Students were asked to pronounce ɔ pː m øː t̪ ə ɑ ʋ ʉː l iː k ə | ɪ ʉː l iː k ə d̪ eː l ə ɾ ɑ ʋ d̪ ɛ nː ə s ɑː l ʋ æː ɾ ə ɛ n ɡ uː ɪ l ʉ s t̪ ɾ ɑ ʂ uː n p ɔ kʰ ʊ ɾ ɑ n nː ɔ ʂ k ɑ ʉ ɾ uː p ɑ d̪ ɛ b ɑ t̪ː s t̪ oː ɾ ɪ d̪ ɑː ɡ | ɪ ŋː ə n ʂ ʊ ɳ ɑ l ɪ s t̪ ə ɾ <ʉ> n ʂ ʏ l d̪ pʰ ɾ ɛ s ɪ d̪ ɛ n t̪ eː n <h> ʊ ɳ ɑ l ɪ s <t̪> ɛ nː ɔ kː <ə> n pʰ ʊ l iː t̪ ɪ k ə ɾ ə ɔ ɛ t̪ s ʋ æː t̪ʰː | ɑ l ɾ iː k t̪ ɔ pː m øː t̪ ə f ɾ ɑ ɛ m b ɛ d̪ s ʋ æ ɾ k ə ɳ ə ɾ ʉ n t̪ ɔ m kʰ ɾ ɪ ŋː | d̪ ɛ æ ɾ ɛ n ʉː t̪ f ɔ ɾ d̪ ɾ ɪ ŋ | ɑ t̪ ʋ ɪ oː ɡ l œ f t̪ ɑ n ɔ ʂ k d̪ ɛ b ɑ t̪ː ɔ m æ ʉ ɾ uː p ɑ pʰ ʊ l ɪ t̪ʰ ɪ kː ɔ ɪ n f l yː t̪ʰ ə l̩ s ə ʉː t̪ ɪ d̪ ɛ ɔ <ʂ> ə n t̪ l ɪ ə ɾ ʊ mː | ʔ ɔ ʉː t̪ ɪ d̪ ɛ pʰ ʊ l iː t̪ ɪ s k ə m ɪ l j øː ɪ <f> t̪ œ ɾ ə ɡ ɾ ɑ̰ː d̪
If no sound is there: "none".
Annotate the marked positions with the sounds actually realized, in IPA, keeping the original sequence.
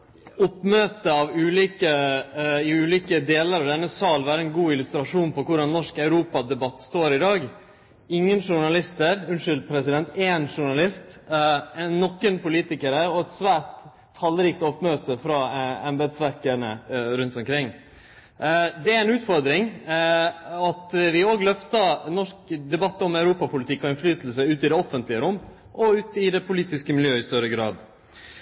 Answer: ʉ, ʂ, t̪, ə, f, s

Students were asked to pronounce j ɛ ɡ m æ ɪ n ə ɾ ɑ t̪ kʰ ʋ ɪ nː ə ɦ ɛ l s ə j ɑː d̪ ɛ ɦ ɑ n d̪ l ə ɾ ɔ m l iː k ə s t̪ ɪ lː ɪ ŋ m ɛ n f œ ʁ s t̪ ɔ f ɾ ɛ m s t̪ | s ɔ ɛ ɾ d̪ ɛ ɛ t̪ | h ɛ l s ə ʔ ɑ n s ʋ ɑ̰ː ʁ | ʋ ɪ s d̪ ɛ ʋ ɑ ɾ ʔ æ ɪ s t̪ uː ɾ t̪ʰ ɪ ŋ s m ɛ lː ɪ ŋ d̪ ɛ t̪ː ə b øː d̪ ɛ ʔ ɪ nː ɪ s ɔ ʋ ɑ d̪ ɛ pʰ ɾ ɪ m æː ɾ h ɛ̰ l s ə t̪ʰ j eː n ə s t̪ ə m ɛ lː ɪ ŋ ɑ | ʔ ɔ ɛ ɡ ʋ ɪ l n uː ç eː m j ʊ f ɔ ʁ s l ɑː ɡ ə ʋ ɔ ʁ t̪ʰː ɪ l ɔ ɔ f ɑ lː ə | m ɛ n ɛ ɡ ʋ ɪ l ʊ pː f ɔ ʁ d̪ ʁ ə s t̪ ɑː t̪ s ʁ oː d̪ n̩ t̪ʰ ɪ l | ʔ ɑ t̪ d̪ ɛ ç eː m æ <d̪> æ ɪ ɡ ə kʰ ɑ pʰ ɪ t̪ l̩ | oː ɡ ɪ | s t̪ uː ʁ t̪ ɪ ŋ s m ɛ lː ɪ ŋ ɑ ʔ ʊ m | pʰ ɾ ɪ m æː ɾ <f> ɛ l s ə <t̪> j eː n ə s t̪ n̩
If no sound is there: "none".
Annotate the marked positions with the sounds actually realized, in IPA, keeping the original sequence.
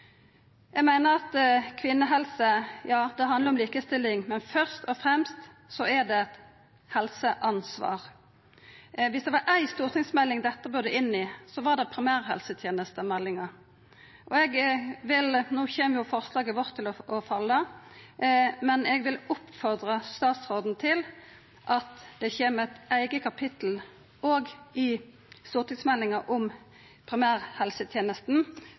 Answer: t̪, h, t̪ʰ

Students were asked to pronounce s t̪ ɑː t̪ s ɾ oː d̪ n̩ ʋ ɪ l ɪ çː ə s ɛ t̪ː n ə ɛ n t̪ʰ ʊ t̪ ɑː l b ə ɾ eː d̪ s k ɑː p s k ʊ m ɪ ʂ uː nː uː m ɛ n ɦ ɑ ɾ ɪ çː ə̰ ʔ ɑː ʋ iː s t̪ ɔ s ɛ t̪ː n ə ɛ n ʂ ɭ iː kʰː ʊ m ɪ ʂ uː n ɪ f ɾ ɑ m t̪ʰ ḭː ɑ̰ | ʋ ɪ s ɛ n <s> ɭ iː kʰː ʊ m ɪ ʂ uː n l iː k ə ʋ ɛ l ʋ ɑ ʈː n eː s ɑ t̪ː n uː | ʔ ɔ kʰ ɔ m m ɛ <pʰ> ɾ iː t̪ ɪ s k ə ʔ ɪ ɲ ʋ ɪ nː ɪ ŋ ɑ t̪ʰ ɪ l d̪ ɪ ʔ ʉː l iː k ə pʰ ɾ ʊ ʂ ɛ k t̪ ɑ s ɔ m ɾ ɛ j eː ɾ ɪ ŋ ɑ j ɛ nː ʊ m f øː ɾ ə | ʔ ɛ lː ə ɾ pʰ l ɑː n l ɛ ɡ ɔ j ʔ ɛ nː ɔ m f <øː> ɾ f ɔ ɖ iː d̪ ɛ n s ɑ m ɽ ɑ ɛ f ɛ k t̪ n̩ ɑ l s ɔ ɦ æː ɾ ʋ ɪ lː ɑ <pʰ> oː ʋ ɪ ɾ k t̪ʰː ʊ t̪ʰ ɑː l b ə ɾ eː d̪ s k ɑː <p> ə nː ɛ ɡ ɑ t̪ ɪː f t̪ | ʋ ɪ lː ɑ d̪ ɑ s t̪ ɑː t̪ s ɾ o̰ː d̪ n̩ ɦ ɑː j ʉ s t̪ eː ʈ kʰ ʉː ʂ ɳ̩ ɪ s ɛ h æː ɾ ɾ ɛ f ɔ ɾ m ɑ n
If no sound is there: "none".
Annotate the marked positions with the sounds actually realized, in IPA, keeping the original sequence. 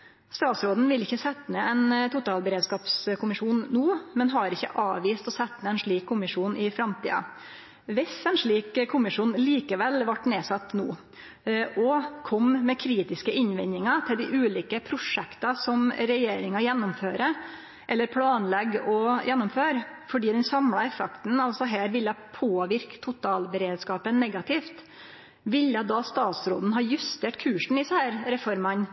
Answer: ʂ, kʰ, øː, pʰ, p

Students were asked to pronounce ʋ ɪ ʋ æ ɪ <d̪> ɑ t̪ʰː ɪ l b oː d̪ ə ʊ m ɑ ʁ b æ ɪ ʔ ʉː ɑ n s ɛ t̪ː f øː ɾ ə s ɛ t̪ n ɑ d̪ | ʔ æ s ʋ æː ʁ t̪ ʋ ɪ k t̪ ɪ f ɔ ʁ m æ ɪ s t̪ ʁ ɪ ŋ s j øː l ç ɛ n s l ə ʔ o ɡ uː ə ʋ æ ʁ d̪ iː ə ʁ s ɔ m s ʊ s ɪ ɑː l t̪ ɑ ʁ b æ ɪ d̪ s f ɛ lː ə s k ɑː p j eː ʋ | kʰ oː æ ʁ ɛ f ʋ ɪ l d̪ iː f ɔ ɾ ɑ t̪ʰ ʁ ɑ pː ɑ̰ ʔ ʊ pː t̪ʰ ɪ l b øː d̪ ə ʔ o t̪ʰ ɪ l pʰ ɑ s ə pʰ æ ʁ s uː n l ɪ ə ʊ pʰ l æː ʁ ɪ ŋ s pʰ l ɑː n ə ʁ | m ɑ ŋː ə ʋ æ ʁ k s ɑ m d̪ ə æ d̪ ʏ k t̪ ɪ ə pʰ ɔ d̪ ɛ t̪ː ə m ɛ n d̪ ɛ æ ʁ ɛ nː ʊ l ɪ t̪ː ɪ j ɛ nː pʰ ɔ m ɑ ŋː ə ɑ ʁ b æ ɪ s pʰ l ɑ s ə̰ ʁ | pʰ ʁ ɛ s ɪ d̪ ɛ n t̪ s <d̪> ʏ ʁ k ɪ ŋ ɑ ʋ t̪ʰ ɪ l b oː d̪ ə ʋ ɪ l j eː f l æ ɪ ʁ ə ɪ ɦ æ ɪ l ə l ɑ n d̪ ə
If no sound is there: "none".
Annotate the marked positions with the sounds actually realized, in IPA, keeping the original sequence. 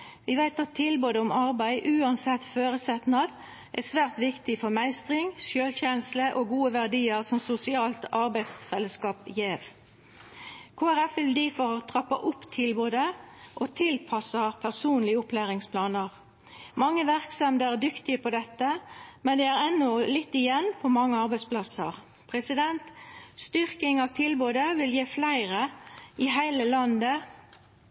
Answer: t̪, t̪

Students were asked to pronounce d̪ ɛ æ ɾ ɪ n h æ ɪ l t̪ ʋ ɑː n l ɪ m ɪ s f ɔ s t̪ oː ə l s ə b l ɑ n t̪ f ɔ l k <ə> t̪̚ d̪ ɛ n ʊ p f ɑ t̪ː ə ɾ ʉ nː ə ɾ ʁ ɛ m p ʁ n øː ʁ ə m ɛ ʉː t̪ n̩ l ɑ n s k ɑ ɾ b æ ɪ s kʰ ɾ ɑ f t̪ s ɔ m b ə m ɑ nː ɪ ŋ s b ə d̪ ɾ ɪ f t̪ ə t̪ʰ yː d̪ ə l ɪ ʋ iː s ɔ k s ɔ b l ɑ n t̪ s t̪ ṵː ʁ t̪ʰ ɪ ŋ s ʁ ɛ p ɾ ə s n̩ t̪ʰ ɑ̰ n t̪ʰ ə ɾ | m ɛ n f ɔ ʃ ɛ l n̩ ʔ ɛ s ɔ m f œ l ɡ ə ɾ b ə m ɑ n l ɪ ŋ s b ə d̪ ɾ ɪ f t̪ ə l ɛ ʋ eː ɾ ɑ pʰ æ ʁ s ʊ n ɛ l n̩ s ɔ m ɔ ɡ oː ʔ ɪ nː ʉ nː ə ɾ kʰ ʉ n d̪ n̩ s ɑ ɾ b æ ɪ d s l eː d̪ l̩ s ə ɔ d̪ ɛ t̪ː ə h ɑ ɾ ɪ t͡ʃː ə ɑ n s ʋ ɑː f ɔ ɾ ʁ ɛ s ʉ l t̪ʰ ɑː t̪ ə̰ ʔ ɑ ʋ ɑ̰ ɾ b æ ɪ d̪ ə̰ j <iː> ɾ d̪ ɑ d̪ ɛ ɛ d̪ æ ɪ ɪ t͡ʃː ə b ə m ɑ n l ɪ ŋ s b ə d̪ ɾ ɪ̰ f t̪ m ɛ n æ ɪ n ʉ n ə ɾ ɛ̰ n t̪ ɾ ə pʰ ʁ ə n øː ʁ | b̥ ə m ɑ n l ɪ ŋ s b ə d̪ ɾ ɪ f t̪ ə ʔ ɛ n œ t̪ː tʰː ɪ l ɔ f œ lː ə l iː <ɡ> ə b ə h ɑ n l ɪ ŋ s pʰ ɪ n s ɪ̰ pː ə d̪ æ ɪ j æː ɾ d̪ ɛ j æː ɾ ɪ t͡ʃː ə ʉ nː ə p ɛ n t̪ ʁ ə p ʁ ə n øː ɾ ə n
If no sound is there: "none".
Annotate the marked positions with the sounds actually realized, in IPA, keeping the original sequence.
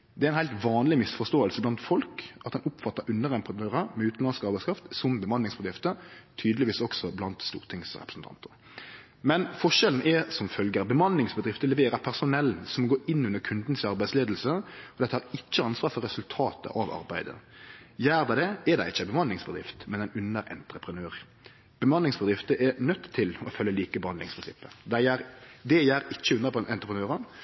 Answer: ɑ, æː, k

